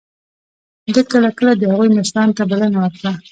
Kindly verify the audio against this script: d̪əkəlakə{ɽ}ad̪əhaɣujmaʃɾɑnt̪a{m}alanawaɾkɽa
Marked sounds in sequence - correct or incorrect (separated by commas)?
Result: incorrect, incorrect